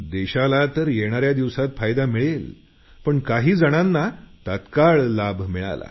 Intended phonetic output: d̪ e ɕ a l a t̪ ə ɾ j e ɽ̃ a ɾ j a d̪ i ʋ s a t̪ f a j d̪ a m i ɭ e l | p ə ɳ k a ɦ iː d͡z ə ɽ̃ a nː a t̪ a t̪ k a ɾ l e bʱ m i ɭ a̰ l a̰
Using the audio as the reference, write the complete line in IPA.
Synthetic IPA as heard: d̪ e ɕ a l a t̪ ə ɾ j e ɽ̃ a ɾ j a d̪ i ʋ s a t̪ f a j d̪ a m i ɭ e l | p ə ɳ k a ɦ iː d͡z ə ɽ̃ a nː a t̪ a t̪ k a ɭ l a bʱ m i ɭ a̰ l a̰